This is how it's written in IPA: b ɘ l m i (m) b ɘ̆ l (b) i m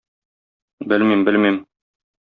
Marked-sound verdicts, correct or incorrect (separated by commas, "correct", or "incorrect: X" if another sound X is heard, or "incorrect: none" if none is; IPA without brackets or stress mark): correct, incorrect: m